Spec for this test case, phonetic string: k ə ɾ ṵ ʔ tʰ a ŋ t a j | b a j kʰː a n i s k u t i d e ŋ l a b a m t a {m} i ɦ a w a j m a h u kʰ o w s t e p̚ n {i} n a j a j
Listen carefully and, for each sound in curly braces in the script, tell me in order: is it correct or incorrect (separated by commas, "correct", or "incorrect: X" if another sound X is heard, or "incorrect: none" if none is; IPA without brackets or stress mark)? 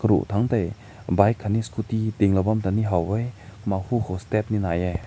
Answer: incorrect: n, correct